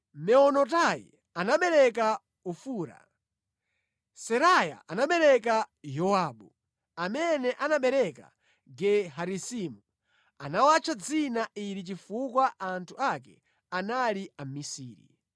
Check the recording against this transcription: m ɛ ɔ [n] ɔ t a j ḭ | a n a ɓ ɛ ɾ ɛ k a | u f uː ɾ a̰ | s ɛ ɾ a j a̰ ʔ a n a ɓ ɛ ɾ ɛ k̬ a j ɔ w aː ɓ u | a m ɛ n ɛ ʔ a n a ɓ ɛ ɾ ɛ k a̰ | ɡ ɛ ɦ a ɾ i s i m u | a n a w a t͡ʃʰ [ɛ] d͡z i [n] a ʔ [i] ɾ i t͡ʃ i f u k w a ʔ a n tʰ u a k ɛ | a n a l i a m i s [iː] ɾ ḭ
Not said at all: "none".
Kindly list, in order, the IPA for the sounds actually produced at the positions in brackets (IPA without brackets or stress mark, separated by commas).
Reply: n, a, n, i, iː